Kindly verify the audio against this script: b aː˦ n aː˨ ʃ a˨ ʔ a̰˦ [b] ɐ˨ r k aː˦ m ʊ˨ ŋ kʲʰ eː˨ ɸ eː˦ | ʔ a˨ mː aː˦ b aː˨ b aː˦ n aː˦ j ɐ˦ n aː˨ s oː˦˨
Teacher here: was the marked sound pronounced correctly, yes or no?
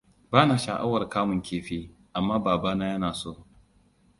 no